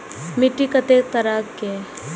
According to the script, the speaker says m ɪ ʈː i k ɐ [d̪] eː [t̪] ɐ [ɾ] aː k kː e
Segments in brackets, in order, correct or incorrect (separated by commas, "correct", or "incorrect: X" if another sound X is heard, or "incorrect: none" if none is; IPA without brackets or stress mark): incorrect: t̪, correct, correct